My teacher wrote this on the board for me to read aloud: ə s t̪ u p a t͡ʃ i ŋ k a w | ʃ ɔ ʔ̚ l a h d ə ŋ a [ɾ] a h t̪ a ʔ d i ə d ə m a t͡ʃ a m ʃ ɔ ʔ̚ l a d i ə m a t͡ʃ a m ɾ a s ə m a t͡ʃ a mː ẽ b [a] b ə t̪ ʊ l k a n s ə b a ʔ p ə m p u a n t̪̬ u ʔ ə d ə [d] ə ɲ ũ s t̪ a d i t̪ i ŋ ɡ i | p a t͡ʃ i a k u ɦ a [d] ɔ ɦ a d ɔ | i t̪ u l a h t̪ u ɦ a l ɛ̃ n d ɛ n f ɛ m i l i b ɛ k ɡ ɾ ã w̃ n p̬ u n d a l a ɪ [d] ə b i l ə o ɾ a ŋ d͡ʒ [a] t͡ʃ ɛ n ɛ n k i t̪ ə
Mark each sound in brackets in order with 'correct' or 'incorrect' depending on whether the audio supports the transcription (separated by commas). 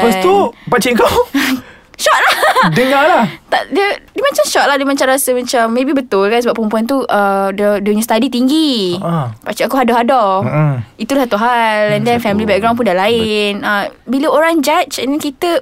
incorrect, incorrect, correct, correct, incorrect, correct